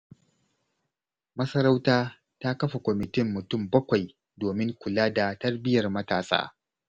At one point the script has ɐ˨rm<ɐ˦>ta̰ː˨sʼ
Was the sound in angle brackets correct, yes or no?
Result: yes